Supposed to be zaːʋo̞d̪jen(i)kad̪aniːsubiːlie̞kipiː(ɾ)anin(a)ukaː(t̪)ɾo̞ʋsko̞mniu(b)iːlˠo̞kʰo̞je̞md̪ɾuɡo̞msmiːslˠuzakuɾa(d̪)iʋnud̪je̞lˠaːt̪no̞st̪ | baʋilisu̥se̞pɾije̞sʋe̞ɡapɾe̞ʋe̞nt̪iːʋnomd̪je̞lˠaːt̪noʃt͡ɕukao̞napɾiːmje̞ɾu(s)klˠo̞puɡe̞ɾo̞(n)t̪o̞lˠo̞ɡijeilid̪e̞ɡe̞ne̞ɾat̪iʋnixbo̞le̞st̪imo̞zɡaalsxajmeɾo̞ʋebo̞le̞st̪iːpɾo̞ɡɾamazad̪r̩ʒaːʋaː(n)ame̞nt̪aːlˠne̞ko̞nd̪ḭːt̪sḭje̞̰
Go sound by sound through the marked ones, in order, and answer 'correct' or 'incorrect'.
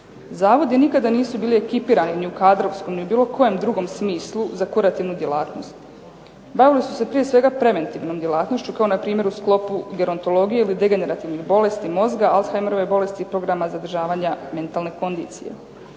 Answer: correct, correct, incorrect: i, incorrect: d̪, correct, incorrect: t̪, correct, correct, incorrect: ɲ

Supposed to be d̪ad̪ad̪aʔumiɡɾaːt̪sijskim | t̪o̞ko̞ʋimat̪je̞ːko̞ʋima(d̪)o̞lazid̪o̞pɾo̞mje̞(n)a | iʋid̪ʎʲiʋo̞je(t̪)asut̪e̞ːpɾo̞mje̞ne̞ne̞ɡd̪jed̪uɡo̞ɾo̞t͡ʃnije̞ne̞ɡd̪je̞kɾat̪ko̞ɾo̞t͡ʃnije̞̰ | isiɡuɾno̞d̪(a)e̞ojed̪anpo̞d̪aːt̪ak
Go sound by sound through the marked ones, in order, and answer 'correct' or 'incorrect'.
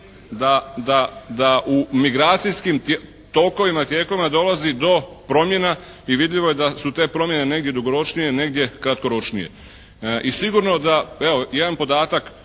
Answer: correct, correct, incorrect: d̪, correct

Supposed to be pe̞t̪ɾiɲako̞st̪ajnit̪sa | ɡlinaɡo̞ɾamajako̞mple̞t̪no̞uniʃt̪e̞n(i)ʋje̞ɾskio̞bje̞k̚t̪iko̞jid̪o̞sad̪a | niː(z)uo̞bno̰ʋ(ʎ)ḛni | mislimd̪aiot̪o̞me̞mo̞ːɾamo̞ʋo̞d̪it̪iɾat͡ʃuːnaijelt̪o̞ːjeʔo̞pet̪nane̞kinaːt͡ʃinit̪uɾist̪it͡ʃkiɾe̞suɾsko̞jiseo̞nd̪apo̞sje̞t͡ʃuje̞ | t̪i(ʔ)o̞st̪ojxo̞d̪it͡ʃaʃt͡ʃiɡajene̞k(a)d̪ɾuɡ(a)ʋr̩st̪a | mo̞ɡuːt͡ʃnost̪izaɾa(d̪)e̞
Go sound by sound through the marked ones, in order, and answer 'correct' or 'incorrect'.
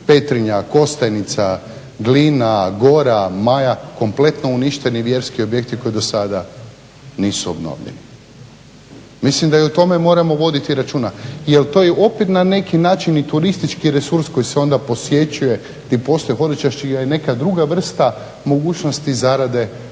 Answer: correct, incorrect: s, correct, incorrect: p, correct, correct, correct

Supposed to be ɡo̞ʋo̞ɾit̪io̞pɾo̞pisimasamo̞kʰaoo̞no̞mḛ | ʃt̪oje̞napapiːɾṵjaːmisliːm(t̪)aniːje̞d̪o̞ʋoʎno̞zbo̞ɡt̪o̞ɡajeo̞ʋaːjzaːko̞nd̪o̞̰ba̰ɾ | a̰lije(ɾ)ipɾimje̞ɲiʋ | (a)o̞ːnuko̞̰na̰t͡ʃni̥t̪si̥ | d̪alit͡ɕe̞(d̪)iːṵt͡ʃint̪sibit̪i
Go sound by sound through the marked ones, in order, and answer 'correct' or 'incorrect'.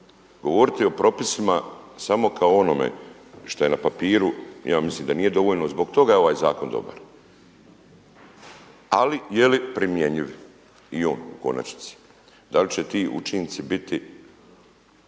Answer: incorrect: d̪, incorrect: l, incorrect: i, incorrect: t̪

